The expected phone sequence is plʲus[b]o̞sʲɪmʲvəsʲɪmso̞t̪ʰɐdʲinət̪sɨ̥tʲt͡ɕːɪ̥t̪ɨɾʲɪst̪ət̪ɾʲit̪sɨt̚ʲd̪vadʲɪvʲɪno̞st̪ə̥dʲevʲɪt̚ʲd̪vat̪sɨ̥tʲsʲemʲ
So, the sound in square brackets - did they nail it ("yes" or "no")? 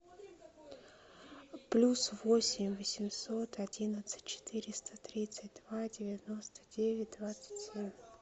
no